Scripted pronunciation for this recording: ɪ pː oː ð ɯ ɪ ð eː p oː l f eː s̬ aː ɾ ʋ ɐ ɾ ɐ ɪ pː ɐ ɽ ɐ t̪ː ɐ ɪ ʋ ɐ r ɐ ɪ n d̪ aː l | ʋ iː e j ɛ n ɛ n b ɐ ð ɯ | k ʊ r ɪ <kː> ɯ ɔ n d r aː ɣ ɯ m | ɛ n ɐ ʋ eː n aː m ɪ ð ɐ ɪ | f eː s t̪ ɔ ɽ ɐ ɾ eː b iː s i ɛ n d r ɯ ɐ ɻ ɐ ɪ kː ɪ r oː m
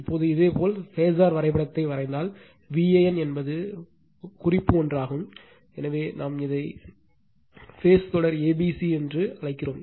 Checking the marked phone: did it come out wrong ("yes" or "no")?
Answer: yes